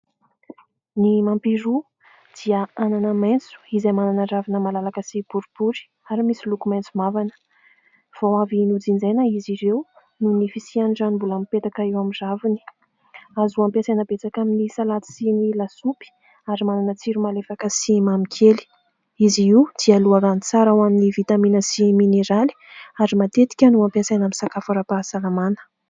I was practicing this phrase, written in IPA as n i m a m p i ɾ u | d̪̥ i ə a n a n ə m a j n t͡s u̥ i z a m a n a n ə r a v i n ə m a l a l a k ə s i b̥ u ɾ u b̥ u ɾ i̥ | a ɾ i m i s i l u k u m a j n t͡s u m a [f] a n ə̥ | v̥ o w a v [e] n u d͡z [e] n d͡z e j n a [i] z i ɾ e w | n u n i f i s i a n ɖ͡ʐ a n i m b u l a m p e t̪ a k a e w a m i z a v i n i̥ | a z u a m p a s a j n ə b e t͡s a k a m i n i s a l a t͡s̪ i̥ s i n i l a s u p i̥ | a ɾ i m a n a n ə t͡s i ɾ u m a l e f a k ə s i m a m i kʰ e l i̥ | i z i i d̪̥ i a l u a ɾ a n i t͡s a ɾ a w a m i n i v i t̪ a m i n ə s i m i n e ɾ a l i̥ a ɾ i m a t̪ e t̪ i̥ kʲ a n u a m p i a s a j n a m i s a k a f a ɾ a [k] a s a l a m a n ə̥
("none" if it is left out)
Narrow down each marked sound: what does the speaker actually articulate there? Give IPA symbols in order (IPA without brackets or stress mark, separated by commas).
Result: v, i, i, i, p